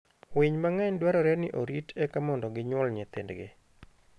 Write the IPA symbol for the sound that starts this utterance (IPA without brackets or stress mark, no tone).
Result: w